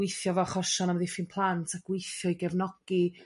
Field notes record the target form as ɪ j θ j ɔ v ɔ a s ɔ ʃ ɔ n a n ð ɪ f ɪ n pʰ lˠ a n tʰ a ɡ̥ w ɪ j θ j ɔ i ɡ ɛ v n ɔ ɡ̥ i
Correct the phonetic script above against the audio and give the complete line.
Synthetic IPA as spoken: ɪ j θ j ɔ v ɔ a χ ɔ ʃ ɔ n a m ð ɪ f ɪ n pʰ lˠ a n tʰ a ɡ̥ w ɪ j θ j ɔ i ɡ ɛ v n ɔ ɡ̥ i